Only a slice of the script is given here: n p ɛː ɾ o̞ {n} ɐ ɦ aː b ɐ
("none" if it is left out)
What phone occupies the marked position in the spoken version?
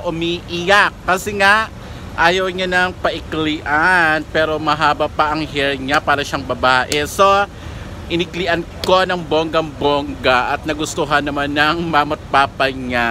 m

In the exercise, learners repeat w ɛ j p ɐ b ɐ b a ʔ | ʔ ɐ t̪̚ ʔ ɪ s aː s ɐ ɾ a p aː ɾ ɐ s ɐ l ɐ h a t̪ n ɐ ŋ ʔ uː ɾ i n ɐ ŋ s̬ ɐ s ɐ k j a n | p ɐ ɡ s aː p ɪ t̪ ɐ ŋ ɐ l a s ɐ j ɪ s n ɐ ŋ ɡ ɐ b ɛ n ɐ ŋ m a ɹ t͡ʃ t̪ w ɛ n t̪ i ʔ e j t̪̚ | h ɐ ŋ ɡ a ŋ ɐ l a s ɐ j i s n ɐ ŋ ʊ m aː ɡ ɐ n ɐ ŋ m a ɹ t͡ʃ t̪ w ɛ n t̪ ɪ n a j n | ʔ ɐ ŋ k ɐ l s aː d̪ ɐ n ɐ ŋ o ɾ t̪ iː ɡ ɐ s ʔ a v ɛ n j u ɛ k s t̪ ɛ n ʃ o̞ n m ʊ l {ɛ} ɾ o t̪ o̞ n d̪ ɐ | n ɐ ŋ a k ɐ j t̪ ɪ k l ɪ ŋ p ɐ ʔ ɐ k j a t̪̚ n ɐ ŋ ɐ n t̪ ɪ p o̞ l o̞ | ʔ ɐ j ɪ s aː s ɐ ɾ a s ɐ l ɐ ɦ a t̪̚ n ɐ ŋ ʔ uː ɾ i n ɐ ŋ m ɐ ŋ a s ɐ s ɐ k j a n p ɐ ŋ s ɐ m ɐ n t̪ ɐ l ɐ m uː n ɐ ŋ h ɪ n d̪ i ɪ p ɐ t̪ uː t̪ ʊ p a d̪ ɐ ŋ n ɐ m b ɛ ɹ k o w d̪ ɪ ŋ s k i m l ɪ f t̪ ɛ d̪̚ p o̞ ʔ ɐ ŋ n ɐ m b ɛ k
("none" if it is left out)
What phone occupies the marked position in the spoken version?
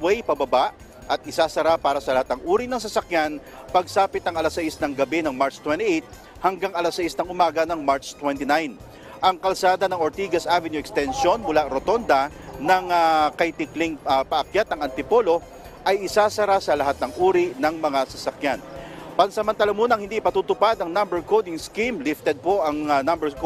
a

